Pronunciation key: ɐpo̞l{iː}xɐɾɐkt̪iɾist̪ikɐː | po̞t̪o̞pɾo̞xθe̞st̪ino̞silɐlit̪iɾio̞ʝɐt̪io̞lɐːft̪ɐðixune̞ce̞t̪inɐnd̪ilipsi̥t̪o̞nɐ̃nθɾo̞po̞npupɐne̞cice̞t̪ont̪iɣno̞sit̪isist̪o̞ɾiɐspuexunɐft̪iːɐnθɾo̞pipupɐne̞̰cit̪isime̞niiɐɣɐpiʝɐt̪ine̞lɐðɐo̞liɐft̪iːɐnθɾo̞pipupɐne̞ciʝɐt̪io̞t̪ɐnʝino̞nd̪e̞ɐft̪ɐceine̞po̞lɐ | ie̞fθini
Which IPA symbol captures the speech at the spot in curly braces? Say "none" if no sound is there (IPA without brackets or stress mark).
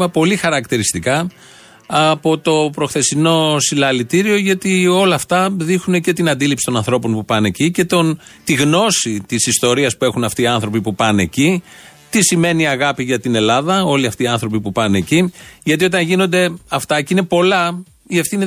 i